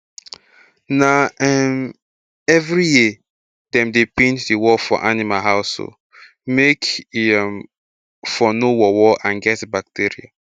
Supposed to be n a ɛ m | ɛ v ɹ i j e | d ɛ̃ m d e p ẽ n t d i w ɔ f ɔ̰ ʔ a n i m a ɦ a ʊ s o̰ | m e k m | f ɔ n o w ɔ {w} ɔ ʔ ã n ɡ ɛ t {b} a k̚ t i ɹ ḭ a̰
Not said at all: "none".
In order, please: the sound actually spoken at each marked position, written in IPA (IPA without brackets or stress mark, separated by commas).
w, b